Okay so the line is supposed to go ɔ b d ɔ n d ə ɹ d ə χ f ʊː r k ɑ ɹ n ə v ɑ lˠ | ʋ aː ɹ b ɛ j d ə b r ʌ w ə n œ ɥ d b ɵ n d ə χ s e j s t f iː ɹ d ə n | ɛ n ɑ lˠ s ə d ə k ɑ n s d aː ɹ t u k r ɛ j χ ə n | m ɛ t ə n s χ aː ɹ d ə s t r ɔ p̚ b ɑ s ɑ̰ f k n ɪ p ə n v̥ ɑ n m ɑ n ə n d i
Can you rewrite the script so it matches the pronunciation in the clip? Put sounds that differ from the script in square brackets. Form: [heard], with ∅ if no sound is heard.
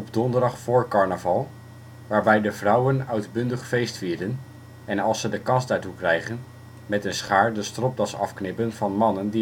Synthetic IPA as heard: ɔ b d ɔ n d ə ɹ d [ɑ] χ f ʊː [ɹ] k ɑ ɹ n ə v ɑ lˠ | ʋ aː ɹ b ɛ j d ə [v] r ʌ w ə n œ ɥ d b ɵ n d ə χ [f] e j s t f iː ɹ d ə n | ɛ n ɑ lˠ s ə d ə k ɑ n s d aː ɹ t u k r ɛ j χ ə n | m ɛ t ə n s χ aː ɹ d ə s t r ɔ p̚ [d] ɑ s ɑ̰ f k n ɪ p ə n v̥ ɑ n m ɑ n ə n d i